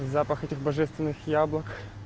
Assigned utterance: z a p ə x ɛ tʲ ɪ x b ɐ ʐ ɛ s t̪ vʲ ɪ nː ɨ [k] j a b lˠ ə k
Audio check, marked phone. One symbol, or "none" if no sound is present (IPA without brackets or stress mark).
x